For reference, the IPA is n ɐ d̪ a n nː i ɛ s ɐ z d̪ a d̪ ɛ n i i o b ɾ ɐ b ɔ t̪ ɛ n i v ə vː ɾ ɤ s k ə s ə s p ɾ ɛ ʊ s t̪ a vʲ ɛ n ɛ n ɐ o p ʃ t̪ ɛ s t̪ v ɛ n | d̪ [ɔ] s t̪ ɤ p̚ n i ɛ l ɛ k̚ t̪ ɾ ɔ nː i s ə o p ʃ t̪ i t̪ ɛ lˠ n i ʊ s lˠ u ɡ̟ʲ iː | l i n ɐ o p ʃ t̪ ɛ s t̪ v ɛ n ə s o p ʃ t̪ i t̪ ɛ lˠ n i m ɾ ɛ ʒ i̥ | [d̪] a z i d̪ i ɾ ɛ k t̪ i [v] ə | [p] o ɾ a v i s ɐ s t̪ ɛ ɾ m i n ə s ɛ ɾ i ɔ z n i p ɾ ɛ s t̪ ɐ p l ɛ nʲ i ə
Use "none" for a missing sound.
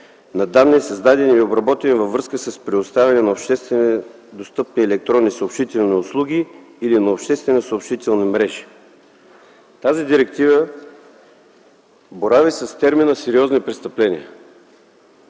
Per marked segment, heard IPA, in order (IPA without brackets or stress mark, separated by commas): o, t̪, v, b